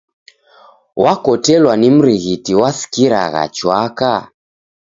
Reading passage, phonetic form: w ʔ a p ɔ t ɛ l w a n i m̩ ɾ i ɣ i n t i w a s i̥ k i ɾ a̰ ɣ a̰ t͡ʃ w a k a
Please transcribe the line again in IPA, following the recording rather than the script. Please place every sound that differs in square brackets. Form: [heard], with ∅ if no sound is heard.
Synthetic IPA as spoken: w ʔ a [k] ɔ t ɛ l w a n i m̩ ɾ i ɣ i [∅] t i w a s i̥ k i ɾ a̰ ɣ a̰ t͡ʃ w a k a